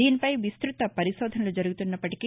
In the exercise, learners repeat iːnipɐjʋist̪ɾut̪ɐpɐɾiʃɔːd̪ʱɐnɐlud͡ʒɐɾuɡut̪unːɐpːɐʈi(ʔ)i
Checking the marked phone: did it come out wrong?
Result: yes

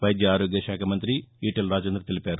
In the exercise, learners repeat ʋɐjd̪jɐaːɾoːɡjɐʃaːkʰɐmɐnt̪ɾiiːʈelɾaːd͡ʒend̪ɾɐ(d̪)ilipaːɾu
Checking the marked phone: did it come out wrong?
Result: yes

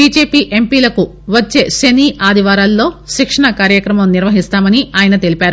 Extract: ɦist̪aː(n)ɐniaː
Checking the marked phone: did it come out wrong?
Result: yes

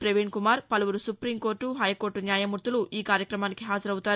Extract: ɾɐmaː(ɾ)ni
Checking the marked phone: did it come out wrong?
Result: yes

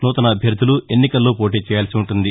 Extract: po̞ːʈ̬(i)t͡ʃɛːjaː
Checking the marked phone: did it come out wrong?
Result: yes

